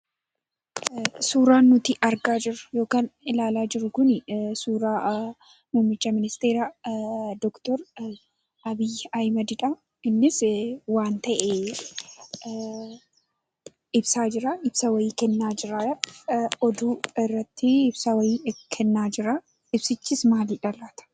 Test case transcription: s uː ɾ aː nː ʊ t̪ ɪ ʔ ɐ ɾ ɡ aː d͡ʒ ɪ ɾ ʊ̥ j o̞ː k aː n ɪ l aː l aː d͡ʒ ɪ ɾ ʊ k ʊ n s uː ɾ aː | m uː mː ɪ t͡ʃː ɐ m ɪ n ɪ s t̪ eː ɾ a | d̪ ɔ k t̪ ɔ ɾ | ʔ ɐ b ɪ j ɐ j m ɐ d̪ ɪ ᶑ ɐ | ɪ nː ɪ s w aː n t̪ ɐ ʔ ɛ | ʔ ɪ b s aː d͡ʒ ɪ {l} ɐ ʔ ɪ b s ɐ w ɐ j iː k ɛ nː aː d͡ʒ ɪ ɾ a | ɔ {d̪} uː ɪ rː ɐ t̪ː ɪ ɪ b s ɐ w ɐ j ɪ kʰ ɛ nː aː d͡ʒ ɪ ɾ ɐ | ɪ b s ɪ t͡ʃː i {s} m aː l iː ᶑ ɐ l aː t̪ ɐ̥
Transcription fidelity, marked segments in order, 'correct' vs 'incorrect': incorrect: ɾ, correct, correct

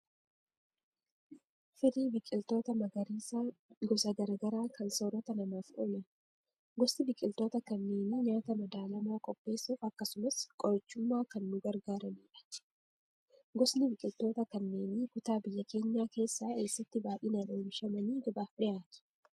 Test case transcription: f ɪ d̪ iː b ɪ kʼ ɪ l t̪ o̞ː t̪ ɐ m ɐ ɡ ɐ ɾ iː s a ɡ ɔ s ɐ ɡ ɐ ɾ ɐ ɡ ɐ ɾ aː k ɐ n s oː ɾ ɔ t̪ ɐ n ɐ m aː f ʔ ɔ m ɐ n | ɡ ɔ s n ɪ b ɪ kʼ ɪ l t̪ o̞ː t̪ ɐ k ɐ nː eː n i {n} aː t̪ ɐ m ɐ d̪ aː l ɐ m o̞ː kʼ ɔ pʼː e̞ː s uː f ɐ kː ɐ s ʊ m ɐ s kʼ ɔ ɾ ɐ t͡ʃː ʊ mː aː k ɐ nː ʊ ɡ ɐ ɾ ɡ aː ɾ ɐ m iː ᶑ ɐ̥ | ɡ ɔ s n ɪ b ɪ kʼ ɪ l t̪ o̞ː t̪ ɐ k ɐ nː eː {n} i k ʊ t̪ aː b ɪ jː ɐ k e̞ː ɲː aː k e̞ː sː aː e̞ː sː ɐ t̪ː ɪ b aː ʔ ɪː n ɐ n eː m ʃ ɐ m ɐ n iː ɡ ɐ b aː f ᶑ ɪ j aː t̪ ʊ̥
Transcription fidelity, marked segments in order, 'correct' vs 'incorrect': incorrect: ɲ, correct

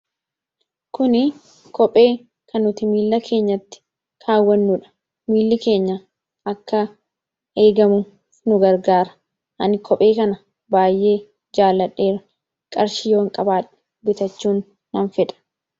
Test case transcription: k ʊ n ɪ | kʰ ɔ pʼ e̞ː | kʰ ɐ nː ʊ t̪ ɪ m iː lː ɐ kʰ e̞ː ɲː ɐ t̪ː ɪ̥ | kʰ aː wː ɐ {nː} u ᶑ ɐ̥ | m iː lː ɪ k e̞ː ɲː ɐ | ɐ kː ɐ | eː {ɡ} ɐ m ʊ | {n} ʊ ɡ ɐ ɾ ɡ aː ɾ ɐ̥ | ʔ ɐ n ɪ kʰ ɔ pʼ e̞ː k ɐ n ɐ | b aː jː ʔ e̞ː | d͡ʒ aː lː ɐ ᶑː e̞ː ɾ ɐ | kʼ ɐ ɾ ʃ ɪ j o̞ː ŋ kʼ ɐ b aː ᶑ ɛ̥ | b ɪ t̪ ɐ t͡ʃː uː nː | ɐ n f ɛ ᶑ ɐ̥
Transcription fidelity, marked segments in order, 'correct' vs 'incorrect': correct, correct, correct

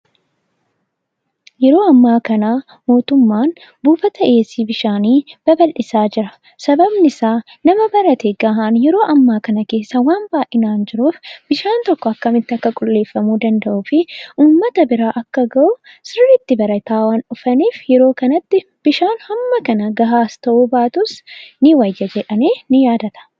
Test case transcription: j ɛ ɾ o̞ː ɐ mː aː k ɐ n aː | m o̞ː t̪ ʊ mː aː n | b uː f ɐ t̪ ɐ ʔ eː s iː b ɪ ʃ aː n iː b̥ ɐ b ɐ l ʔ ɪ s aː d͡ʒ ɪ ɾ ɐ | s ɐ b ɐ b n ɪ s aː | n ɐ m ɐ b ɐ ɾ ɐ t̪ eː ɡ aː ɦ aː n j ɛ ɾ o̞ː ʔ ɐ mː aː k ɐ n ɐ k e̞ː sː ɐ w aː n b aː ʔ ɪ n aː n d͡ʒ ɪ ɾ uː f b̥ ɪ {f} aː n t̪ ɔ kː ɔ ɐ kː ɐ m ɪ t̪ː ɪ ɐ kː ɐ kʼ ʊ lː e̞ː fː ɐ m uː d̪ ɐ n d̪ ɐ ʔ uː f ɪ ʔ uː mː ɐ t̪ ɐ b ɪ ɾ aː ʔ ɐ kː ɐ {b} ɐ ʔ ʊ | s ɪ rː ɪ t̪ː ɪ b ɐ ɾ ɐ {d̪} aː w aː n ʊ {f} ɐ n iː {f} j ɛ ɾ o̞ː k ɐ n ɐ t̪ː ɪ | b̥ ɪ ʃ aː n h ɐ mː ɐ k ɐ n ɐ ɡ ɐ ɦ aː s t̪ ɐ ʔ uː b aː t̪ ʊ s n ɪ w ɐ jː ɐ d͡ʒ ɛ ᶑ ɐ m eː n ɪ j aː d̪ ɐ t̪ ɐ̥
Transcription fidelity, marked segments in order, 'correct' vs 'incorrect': incorrect: ʃ, incorrect: ɡ, incorrect: t̪, correct, correct

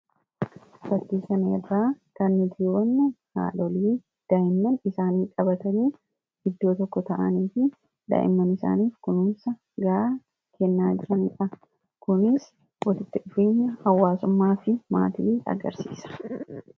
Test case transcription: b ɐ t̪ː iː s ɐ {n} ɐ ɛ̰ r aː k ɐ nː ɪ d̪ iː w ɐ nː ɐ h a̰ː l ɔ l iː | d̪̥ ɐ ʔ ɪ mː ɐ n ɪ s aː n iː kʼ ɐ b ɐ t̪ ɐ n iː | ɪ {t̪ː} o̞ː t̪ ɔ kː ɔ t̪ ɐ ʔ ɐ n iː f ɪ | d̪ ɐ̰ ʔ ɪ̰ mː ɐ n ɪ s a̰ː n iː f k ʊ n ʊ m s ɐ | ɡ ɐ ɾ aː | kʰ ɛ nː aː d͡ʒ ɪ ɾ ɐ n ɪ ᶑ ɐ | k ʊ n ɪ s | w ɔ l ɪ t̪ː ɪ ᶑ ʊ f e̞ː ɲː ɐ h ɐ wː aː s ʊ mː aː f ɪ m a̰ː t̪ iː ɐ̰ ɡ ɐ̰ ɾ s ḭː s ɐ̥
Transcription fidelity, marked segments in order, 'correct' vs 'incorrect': correct, incorrect: d̪ː

